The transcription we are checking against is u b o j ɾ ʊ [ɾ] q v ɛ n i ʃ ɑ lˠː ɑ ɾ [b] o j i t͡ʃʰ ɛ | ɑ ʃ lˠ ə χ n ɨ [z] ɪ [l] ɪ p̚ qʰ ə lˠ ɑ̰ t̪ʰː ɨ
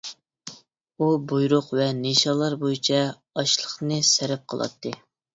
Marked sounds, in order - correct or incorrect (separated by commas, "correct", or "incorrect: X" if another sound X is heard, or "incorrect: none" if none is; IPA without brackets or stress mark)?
incorrect: none, correct, incorrect: s, incorrect: ɾ